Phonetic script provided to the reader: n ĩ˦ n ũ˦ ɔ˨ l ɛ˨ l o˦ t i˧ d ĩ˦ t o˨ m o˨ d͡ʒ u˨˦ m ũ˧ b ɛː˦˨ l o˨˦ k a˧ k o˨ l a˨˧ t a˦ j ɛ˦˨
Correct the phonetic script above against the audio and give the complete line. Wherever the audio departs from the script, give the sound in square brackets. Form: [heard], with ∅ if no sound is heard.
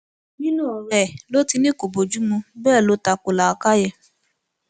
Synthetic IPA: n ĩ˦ n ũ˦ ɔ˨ [ɾ] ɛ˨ l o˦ t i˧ [n] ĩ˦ [k] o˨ [b] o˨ d͡ʒ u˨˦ m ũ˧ b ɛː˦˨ l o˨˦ [t] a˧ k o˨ l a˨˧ [k] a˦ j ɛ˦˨